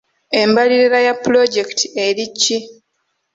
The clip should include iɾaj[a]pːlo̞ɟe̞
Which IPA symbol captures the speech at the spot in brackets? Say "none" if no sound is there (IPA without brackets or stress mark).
a